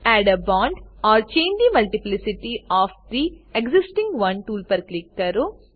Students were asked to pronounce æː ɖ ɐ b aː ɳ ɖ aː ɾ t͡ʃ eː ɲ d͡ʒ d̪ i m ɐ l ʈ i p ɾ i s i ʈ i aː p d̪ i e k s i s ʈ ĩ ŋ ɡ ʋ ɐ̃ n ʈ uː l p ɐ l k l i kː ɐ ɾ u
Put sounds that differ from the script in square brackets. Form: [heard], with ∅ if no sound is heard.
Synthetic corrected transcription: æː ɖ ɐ b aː ɳ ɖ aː ɾ t͡ʃ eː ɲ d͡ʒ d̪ i m ɐ l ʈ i p [l] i s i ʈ i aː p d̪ i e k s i s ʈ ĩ ŋ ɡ ʋ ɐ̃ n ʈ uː l p ɐ [ɾ] k l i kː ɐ ɾ u